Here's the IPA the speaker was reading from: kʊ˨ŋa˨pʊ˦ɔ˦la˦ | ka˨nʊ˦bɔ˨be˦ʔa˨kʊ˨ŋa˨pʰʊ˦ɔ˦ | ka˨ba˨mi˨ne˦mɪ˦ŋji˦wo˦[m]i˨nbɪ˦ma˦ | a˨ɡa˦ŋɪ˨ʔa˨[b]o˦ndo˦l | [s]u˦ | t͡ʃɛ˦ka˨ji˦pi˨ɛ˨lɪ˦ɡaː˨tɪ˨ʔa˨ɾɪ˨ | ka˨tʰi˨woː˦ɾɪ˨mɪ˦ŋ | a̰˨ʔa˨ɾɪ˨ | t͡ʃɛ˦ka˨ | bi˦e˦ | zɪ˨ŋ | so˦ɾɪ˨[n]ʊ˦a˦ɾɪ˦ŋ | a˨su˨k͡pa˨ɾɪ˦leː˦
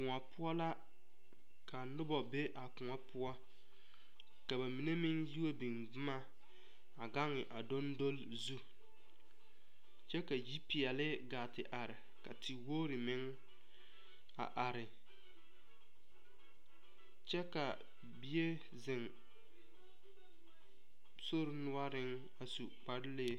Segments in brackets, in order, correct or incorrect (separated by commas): incorrect, incorrect, incorrect, correct